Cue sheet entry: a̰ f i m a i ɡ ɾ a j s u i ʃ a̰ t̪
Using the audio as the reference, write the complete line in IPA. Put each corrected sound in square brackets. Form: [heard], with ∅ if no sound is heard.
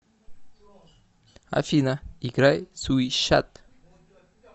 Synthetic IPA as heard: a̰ f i [n] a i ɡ ɾ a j s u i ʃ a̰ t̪